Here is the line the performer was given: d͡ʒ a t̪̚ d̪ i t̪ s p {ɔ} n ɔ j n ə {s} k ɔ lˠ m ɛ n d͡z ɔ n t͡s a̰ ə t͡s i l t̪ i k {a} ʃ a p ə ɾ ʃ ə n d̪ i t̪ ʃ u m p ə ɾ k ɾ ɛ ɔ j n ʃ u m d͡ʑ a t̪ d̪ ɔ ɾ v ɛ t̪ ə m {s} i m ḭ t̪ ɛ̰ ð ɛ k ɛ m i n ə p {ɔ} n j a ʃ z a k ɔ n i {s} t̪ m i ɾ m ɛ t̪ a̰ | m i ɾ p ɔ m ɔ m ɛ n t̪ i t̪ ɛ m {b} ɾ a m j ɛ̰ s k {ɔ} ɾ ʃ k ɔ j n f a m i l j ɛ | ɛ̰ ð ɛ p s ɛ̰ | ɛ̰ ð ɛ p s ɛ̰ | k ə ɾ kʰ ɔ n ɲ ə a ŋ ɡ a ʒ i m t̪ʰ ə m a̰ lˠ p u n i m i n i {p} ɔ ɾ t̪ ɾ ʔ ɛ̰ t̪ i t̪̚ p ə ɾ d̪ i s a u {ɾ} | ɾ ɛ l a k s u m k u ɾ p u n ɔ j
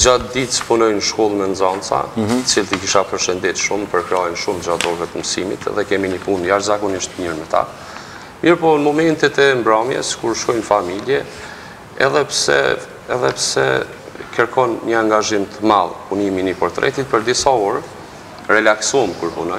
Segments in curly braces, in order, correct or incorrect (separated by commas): incorrect, incorrect, incorrect, correct, incorrect, incorrect, correct, incorrect, correct, correct